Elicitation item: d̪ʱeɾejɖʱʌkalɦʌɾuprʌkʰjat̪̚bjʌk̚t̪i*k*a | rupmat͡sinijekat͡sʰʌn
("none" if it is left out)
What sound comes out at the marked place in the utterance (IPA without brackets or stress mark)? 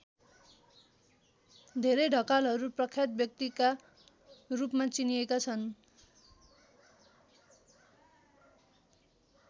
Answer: k